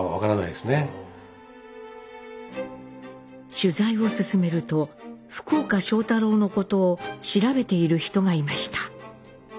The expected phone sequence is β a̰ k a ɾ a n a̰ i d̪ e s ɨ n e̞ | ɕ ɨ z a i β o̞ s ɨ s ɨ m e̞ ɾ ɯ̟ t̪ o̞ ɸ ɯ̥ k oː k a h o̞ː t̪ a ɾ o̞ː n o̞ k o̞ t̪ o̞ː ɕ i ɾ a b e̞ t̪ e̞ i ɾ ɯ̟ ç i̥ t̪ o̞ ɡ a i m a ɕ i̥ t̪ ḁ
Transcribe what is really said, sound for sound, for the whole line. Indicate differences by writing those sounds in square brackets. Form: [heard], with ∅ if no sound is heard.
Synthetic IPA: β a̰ k a ɾ a n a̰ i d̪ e s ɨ n e̞ | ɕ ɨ z a i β o̞ s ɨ s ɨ m e̞ ɾ ɯ̟ t̪ o̞ ɸ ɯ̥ k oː k a [ɕ] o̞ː t̪ a ɾ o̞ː n o̞ k o̞ t̪ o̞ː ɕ i ɾ a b e̞ t̪ e̞ i ɾ ɯ̟ ç i̥ t̪ o̞ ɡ a i m a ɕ i̥ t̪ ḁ